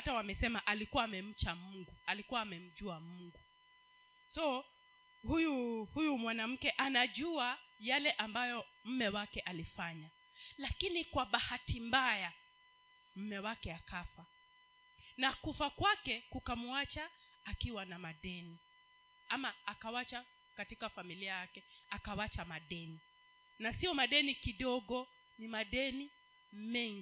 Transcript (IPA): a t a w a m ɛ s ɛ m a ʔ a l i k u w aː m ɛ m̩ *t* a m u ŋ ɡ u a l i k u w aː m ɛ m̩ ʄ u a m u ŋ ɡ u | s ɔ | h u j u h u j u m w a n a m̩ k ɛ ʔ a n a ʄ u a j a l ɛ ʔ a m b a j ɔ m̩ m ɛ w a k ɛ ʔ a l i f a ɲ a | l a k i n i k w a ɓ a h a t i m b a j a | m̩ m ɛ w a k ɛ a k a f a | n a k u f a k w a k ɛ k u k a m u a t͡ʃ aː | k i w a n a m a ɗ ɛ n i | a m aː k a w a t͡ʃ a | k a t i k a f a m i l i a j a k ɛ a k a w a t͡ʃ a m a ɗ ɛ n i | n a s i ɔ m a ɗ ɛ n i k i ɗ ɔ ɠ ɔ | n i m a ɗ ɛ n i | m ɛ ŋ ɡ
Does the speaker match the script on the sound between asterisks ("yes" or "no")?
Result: no